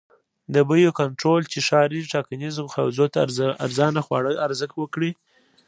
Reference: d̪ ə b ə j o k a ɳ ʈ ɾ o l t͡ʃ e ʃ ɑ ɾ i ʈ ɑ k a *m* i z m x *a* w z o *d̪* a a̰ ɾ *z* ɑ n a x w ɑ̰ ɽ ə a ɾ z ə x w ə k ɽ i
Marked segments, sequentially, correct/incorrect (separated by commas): incorrect, correct, incorrect, correct